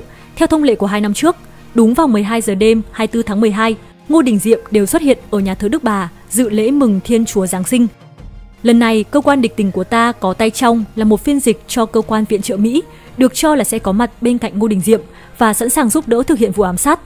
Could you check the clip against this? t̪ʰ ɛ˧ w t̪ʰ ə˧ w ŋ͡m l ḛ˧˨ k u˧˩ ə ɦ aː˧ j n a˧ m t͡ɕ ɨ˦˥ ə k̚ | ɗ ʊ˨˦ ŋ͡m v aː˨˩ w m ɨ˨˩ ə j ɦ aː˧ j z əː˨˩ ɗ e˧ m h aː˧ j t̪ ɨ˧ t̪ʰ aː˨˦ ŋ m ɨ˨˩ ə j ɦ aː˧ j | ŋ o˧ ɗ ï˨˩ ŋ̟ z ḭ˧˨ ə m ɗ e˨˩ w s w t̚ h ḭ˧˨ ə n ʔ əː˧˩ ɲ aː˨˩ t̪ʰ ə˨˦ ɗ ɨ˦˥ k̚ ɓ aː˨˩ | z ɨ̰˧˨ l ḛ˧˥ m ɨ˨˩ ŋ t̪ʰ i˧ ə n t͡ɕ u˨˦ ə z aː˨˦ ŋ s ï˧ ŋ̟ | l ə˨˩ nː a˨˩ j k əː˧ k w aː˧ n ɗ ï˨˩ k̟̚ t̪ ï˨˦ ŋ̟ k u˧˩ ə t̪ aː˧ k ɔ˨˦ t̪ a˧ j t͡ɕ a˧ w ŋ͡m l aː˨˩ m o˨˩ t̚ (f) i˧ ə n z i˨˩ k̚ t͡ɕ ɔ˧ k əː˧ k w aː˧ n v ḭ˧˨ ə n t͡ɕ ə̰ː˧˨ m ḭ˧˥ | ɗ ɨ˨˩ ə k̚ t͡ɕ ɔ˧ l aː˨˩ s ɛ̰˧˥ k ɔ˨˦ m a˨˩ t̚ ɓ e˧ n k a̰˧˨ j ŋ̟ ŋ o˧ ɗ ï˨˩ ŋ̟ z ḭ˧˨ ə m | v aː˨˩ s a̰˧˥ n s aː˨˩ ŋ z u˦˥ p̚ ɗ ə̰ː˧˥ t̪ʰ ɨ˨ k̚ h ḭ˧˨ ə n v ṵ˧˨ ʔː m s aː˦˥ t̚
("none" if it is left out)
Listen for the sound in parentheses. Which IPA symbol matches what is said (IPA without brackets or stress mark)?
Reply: f